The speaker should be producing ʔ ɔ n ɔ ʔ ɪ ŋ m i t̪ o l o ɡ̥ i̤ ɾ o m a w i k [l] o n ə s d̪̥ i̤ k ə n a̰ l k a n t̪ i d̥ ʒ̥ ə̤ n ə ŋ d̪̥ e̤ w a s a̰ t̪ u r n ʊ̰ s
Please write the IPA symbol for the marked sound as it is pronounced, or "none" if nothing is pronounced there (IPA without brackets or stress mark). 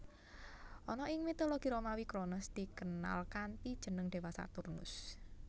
ɾ